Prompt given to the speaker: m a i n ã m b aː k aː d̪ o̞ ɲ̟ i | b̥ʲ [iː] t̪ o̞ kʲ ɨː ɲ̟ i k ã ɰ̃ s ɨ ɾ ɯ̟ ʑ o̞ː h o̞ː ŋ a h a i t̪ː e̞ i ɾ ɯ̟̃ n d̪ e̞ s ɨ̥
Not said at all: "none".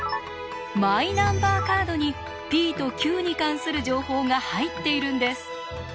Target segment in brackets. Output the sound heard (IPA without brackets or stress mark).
iː